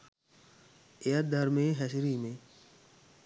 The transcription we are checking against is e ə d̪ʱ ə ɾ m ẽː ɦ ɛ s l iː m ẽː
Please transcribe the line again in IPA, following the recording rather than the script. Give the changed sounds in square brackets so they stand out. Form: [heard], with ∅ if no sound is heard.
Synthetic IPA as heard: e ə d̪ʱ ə ɾ m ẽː ɦ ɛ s [ɾ] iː m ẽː